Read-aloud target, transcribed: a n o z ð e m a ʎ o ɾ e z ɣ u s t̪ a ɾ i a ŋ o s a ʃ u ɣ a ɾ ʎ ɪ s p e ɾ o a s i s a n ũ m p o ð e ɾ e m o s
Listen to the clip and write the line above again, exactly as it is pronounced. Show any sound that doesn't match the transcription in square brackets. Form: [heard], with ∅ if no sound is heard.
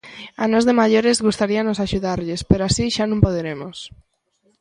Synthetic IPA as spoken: a n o z ð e m a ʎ o ɾ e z ɣ u s t̪ a ɾ i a [n] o s a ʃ u [ð] a ɾ ʎ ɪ s p e ɾ o a s i [ʃ] a n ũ m p o ð e ɾ e m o s